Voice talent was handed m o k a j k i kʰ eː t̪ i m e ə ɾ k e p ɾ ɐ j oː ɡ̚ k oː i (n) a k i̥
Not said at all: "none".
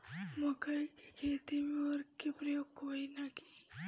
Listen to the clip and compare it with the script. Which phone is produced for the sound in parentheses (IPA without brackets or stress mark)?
n